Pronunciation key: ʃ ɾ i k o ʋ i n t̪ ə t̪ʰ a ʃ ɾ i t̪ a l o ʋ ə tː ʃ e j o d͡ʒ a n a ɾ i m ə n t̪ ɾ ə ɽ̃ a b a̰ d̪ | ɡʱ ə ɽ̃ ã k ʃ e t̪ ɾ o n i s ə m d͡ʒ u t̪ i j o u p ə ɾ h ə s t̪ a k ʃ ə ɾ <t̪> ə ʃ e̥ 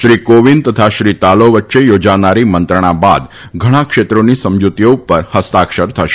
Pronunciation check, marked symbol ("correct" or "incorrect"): incorrect